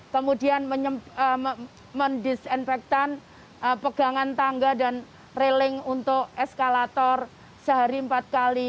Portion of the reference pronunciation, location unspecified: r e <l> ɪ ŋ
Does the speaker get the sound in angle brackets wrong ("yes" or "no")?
no